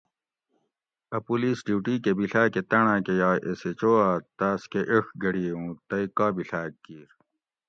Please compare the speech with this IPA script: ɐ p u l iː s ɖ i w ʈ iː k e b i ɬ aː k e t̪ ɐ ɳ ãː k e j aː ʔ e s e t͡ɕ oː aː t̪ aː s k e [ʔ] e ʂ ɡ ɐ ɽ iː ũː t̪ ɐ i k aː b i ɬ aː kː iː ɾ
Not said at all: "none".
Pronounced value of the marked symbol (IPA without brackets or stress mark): ʔ